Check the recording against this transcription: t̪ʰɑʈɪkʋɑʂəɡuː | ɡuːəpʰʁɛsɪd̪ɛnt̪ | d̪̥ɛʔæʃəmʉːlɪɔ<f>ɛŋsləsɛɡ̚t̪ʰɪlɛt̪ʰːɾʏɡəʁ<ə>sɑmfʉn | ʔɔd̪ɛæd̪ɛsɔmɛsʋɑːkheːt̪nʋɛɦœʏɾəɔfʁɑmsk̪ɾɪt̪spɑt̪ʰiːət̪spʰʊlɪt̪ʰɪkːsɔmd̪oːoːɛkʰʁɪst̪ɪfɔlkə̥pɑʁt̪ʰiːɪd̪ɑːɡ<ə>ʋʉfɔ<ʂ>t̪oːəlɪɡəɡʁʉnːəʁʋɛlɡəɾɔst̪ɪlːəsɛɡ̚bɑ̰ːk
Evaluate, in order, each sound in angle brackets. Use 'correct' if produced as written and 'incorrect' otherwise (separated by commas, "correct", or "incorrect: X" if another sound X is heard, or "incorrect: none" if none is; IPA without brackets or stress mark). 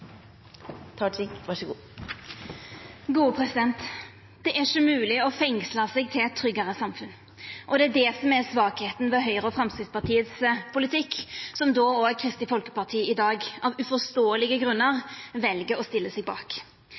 correct, correct, incorrect: ɑ, incorrect: s